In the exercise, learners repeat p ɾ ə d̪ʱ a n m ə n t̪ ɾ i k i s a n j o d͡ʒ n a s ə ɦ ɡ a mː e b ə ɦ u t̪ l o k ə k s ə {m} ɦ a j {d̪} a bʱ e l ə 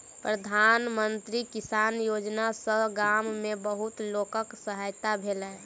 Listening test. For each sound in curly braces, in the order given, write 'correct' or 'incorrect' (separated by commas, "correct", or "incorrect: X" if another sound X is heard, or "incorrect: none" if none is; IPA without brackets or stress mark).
incorrect: none, incorrect: t̪